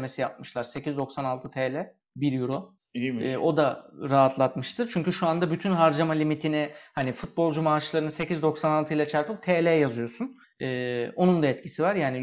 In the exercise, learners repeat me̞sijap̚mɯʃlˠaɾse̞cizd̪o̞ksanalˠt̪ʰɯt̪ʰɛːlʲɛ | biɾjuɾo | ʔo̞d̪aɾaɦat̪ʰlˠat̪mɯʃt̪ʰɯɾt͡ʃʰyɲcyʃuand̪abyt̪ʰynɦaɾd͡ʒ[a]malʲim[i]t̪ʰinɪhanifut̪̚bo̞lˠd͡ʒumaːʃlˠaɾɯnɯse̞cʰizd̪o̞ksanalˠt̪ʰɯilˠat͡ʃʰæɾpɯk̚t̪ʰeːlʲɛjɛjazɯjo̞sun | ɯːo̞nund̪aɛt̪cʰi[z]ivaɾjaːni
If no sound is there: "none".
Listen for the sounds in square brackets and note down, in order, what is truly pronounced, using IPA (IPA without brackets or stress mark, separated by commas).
a, i, s